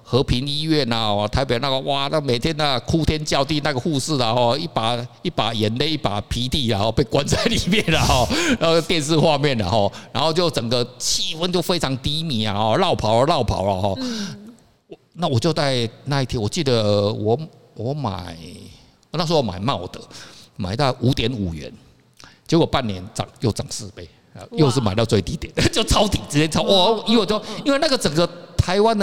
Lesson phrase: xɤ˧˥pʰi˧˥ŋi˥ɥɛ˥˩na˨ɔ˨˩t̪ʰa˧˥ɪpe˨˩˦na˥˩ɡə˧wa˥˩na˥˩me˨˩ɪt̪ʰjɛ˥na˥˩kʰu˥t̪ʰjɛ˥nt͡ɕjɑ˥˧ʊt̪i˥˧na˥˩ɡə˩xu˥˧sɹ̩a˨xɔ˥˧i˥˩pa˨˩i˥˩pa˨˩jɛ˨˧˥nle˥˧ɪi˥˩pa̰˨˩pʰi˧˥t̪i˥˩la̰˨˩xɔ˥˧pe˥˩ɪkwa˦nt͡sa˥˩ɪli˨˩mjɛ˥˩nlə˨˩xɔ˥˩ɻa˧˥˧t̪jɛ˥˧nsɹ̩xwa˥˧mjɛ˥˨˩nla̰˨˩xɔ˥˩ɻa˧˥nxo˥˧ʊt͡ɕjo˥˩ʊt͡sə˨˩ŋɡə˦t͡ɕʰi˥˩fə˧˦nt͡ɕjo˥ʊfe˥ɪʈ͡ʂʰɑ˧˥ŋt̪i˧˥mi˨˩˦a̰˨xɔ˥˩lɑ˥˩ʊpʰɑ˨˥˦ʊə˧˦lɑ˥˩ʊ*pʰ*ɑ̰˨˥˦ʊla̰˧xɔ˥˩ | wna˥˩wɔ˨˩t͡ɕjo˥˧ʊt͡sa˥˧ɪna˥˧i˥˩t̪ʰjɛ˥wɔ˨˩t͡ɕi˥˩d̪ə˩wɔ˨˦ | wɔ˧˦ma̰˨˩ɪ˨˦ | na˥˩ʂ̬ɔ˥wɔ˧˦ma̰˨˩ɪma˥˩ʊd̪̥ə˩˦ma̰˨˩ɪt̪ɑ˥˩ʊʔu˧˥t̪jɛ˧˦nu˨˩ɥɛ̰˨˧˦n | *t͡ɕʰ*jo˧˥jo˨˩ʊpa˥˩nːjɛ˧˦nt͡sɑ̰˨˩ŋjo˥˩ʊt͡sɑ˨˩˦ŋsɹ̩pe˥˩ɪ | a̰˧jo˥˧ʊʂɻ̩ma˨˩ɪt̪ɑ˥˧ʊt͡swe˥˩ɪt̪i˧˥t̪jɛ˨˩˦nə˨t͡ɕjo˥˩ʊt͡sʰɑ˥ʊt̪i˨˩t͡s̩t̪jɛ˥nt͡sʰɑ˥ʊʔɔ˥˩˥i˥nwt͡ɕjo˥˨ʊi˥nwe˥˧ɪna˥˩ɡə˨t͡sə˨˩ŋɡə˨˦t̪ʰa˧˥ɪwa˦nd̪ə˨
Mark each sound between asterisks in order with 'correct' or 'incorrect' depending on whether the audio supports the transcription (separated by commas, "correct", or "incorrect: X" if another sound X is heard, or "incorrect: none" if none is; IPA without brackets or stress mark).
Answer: correct, incorrect: t͡ɕ